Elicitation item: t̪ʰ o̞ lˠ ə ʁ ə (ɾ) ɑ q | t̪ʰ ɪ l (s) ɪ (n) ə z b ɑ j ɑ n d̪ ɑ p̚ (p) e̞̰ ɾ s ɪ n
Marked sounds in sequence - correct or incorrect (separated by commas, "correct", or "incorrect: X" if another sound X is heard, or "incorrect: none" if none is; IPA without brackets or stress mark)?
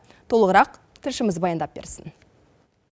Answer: correct, incorrect: ʃ, incorrect: m, incorrect: b